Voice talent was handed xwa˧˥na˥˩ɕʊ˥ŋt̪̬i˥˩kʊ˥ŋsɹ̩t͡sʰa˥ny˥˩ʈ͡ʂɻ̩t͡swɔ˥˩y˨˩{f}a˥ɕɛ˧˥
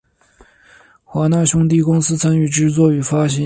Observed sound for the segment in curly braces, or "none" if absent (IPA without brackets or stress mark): f